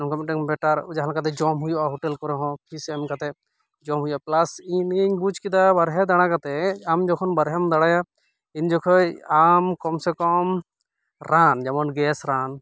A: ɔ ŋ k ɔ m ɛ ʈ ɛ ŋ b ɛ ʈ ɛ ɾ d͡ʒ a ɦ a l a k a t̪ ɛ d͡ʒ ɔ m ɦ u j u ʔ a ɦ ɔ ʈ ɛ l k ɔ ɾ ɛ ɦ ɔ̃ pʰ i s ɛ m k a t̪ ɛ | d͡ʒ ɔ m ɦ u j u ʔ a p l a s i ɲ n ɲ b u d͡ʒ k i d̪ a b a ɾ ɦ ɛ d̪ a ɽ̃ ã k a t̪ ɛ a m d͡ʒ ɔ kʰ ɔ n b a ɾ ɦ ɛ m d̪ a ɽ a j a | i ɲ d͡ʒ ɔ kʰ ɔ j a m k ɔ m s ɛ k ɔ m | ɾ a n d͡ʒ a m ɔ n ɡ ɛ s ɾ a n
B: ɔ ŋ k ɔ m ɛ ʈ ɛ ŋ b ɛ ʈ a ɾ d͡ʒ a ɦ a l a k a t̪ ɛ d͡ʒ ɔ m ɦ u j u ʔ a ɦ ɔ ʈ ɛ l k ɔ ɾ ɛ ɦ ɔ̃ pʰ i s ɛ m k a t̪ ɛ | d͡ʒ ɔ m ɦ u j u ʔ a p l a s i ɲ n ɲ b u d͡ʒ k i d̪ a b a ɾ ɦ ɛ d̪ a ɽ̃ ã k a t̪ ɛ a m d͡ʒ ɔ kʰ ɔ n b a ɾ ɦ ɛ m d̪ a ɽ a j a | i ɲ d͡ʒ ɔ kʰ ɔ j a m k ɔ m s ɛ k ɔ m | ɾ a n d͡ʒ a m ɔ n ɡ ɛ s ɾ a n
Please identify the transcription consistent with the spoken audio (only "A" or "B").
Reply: B